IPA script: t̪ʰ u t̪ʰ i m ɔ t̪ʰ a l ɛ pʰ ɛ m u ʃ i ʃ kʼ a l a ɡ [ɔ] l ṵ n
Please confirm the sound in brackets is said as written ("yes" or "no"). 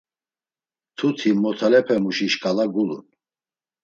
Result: no